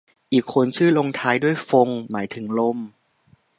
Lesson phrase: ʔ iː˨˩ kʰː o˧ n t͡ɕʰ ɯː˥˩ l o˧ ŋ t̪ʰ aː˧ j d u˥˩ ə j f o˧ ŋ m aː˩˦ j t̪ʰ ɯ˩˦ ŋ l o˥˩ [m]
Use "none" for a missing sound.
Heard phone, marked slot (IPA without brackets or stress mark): m